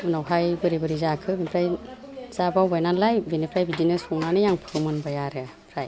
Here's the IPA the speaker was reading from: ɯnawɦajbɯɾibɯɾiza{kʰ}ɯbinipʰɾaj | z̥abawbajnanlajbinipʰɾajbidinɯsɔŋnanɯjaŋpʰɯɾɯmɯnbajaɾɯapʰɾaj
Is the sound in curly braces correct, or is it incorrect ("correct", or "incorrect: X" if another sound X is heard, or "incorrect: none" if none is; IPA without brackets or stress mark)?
correct